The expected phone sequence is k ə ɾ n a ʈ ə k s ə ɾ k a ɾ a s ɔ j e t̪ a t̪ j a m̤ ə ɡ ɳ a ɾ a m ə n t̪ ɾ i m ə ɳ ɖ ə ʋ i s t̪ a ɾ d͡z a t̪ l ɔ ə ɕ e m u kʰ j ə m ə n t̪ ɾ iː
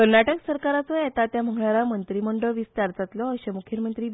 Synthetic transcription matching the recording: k ə ɾ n a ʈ ə k s ə ɾ k a ɾ a t͡s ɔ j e t̪ a t̪ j a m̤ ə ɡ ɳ a ɾ a m ə n t̪ ɾ i m ə ɳ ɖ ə ʋ i s t̪ a ɾ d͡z a t̪ l ɔ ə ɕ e m u kʰ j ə m ə n t̪ ɾ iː